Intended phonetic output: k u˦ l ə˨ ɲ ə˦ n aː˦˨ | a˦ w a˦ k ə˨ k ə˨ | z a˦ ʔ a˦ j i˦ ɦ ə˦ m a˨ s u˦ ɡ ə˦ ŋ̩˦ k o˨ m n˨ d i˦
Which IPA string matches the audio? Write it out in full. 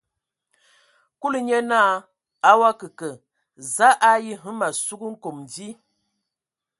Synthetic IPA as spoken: k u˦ l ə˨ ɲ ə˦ n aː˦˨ | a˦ w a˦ k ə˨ k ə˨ | z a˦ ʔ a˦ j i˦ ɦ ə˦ m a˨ s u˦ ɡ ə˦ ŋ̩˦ k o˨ m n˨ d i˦